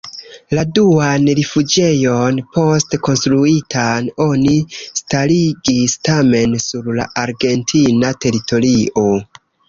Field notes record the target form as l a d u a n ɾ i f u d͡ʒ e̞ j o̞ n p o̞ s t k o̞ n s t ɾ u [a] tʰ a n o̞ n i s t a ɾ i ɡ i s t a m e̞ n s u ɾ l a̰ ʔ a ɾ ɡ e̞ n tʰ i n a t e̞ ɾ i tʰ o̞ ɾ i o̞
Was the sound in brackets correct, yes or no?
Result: no